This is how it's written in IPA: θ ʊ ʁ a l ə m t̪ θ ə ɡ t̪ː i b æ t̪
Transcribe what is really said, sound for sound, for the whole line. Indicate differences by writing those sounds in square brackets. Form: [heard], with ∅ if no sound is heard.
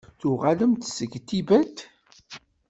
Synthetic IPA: θ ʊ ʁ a l ə m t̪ [s] ə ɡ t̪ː i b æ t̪